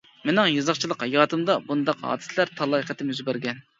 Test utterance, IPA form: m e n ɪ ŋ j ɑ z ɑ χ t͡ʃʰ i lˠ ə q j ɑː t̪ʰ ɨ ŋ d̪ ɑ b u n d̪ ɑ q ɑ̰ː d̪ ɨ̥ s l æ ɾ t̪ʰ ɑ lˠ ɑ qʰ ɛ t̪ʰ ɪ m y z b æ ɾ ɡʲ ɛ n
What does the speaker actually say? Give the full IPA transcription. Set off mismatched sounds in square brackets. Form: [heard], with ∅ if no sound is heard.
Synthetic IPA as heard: m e n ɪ ŋ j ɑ z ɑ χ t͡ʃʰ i lˠ ə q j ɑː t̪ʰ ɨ [m] d̪ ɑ b u n d̪ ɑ q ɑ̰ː d̪ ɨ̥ s l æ ɾ t̪ʰ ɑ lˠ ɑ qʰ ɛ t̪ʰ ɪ m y z b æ ɾ ɡʲ ɛ n